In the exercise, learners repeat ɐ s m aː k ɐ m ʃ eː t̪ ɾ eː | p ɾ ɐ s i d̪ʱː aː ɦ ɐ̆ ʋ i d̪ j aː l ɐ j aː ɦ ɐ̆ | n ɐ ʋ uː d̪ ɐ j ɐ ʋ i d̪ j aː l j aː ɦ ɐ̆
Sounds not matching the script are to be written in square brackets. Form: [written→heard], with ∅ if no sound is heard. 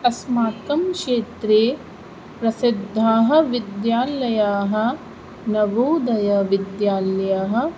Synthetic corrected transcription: ɐ s m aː k ɐ m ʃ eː t̪ ɾ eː | p ɾ ɐ s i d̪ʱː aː ɦ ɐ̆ ʋ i d̪ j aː l ɐ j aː ɦ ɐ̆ | n ɐ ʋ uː d̪ ɐ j ɐ ʋ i d̪ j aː l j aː ɦ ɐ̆